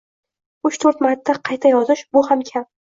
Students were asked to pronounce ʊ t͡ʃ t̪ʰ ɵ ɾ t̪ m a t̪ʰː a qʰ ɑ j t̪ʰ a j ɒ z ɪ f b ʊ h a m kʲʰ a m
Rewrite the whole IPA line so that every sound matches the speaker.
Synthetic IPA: ʊ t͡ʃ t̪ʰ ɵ ɾ t̪ m a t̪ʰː a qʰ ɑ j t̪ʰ a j ɒ z ɪ ʃ b ʊ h a m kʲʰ a m